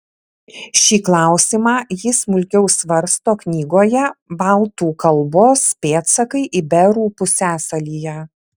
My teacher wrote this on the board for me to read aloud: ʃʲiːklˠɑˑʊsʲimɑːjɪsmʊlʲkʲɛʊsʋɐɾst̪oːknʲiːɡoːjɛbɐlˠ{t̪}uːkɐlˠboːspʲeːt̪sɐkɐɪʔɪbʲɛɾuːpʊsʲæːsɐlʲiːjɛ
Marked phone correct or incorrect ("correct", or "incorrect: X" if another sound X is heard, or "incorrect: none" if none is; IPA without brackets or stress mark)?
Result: correct